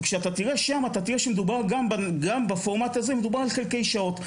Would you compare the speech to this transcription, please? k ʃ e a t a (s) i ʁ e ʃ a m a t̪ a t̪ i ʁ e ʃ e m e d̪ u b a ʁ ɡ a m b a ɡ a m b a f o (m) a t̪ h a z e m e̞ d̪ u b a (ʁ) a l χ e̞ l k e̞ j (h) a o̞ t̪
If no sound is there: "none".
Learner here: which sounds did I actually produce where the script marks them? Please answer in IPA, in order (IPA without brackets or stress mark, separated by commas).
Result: t, m, ʁ, ʃ